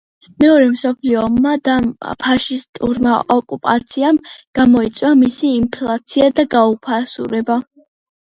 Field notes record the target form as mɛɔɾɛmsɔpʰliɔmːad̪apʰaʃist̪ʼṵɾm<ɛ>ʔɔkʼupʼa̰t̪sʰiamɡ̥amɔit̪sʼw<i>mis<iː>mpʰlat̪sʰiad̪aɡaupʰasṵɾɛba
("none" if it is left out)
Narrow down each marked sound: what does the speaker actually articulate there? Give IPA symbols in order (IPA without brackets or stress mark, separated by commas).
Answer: a, a, iː